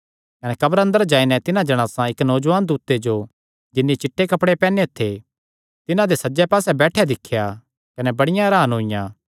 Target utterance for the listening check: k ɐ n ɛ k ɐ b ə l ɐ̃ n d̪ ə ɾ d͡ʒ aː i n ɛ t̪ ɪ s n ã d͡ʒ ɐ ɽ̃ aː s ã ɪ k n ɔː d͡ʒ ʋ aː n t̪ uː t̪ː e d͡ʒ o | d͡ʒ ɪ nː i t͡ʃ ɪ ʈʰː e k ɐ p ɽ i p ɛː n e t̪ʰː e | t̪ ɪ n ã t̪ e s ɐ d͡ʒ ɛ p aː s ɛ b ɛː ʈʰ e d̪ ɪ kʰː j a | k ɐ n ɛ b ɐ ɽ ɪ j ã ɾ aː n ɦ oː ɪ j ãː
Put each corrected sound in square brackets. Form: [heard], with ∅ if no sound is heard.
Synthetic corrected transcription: k ɐ n ɛ k ɐ b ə [ɾ] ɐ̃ n d̪ ə ɾ d͡ʒ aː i n ɛ t̪ ɪ [∅] n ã d͡ʒ ɐ ɽ̃ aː s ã ɪ k n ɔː d͡ʒ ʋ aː n [d̪] uː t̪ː e d͡ʒ o | d͡ʒ ɪ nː i t͡ʃ ɪ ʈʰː e k ɐ p ɽ [e] p ɛː n e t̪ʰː e | t̪ ɪ n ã [d̪] e s ɐ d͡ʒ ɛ p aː s ɛ b ɛː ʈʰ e d̪ ɪ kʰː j a | k ɐ n ɛ b ɐ ɽ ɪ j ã ɾ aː n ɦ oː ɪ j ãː